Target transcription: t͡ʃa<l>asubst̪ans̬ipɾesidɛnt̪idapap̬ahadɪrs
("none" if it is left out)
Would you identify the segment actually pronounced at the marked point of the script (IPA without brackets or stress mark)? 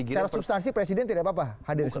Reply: ɾ